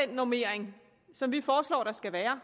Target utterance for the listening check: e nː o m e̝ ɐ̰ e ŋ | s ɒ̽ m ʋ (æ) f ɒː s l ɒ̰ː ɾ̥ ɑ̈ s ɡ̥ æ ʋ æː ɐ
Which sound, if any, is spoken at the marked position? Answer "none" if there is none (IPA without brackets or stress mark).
i